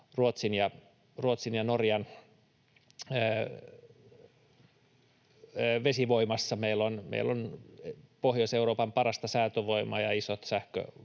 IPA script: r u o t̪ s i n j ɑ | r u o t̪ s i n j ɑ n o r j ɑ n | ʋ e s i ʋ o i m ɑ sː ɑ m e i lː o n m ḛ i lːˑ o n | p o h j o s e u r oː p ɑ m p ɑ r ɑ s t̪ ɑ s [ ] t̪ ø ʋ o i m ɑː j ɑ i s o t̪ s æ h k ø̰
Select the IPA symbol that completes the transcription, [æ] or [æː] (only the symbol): æː